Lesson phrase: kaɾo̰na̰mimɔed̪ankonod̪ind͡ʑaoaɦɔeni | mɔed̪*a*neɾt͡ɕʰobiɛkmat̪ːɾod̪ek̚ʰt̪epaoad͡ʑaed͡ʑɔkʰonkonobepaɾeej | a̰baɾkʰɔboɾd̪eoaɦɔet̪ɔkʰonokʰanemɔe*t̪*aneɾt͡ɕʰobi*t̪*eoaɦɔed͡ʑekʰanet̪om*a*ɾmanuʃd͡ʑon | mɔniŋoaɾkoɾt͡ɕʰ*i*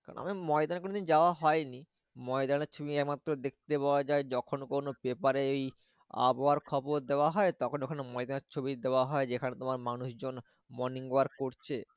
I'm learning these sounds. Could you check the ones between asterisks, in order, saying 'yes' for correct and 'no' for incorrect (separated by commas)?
yes, no, no, yes, no